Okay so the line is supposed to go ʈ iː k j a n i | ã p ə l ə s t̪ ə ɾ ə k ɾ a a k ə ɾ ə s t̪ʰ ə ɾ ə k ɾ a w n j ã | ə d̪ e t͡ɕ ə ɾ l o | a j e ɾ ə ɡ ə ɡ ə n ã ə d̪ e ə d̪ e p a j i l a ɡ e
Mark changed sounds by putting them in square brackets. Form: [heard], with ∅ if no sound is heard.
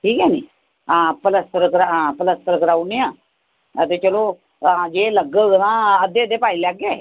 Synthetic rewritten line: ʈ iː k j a n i | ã p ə l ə s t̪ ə ɾ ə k ɾ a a [p] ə [l] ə s [t̪] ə ɾ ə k ɾ a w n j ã | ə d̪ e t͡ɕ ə [∅] l o | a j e [l] ə ɡ ə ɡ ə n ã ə d̪ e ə d̪ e p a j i l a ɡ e